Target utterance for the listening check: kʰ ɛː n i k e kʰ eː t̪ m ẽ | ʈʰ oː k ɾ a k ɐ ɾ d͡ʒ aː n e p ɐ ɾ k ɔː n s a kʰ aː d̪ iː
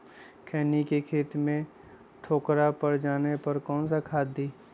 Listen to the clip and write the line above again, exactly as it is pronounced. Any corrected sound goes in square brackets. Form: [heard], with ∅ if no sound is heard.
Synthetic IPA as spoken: kʰ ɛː n i k e kʰ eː t̪ m ẽ | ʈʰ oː k ɾ a [p] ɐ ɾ d͡ʒ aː n e p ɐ ɾ k ɔː n s a kʰ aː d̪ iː